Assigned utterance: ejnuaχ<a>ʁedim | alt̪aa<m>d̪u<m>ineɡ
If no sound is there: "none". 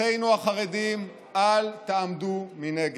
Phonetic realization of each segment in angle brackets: a, m, m

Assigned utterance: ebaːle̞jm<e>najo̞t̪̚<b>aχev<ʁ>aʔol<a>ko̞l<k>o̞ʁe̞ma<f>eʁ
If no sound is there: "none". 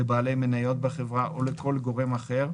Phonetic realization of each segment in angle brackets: e, b, ʁ, e, ɡ, χ

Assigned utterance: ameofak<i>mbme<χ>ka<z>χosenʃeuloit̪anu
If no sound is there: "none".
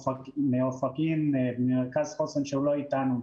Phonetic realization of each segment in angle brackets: i, ʁ, z

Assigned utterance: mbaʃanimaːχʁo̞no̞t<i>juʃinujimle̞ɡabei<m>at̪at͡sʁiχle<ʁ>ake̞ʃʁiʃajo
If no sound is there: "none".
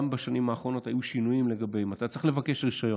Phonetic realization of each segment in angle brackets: a, m, v

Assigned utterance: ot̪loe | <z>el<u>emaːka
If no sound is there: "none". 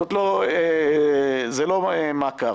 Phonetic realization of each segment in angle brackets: z, o

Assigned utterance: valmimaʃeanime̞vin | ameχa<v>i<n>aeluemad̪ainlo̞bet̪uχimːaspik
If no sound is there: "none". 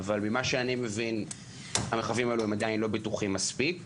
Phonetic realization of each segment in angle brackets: v, m

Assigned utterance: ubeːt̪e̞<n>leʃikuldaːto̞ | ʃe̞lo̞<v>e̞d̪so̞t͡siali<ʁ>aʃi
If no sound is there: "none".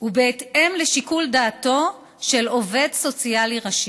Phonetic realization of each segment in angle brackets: m, v, ʁ

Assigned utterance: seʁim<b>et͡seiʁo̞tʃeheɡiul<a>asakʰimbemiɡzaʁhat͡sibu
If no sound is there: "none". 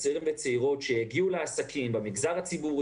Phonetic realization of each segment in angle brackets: v, e

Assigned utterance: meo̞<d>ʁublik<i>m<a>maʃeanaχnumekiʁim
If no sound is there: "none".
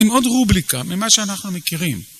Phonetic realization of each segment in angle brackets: d, a, i

